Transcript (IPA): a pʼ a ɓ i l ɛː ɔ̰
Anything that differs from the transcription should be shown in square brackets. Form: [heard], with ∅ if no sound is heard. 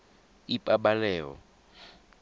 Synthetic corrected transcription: [i] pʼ a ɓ [a] l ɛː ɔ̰